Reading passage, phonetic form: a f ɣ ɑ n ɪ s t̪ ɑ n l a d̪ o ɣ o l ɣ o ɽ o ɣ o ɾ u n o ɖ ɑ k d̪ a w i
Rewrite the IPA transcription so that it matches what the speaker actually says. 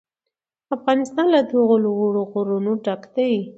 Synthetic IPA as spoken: a f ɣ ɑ n ɪ s t̪ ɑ n l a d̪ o ɣ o l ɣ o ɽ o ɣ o ɾ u n o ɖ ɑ k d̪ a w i

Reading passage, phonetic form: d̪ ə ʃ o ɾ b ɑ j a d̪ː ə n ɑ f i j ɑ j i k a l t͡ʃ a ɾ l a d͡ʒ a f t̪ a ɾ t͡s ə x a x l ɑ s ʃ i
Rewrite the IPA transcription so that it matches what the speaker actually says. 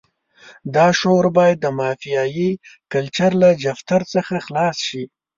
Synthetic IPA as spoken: d̪ ɑ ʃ o ɾ b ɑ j a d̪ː ə m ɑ f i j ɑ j i k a l t͡ʃ a ɾ l a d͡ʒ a f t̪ a ɾ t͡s ə x a x l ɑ s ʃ i

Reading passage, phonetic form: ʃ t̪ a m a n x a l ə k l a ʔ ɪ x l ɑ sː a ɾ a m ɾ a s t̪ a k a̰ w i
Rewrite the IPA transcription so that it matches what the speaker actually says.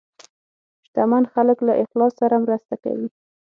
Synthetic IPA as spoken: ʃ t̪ a m a n x a l ə k l a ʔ ɪ x l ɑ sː a ɾ a m ɾ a s t̪ a k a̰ w i

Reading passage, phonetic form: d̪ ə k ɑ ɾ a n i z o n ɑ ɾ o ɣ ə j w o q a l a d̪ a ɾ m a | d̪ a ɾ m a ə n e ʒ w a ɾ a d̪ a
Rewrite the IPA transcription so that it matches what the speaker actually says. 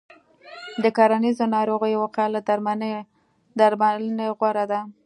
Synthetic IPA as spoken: d̪ ə k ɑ ɾ a n i z o n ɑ ɾ o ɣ ə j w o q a l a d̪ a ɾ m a | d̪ a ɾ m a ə n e ɣ w a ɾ a d̪ a

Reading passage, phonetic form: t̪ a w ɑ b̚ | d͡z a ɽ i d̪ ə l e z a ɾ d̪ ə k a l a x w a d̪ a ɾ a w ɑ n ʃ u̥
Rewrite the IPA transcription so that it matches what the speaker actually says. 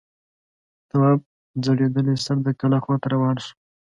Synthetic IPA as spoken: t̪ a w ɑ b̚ | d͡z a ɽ e d̪ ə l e s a ɾ d̪ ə k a l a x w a t̪ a ɾ a w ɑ n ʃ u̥

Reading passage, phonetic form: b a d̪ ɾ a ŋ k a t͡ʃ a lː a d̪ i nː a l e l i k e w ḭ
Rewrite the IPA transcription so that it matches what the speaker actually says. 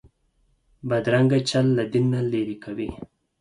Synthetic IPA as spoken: b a d̪ ɾ a ŋ ɡ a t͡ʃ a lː a d̪ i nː a l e ɾ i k a w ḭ

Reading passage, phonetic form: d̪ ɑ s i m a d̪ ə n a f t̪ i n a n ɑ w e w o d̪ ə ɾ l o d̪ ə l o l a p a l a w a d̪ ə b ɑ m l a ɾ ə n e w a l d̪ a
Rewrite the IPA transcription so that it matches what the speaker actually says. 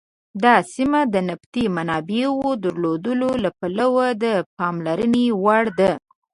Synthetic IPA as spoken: d̪ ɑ s i m a d̪ ə n a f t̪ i m a n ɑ b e w o d̪ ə ɾ l o d̪ ə l o l a p a l a w a d̪ ə p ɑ m l a ɾ ə n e w a ɽ d̪ a

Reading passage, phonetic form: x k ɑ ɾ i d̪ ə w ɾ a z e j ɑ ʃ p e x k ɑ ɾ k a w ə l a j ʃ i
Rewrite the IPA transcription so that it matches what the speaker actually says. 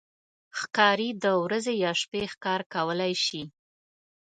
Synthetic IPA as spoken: x k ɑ ɾ i d̪ ə w ɾ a z e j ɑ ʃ p e x k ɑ ɾ k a w ə l a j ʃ i

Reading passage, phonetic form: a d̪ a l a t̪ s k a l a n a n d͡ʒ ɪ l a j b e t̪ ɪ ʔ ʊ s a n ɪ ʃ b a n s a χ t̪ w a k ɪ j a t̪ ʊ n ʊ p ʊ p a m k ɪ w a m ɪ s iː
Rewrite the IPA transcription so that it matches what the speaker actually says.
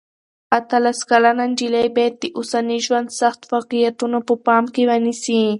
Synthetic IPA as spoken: a t̪ a l a s k a l a n a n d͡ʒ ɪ l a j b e t̪ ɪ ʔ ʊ s a n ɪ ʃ w a n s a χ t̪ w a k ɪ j a t̪ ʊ n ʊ p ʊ p a m k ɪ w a n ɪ s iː

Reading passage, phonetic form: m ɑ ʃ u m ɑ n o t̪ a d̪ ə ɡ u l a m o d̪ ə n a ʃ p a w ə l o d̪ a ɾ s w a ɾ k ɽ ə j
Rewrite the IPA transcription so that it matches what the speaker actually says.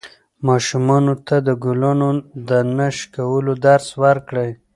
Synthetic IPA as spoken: m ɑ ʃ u m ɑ n o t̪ a d̪ ə ɡ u l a n o d̪ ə n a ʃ k a w ə l o d̪ a ɾ s w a ɾ k ɽ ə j

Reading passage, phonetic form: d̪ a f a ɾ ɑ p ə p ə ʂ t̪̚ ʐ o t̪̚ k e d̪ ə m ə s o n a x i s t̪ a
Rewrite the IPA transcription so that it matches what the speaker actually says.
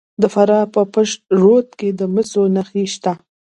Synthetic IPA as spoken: d̪ ə f a ɾ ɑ p ə p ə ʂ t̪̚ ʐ o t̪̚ k e d̪ ə m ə s o n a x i ʃ t̪ a

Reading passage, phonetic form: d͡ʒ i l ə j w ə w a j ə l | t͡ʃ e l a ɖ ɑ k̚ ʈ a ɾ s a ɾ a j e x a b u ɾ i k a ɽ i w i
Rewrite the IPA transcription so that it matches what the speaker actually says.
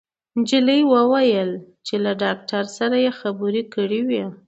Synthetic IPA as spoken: d͡ʒ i l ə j w ə w a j ə l | t͡ʃ e l a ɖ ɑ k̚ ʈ a ɾ s a ɾ a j e x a b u ɾ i k ə ɽ i w i

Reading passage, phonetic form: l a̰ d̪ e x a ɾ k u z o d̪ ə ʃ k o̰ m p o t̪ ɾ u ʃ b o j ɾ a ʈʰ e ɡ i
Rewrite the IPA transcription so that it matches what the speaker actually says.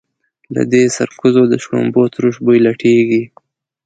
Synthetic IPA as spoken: l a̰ d̪ e s a ɾ k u z o d̪ ə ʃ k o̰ m b o t̪ ɾ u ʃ b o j l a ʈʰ e ɡ i

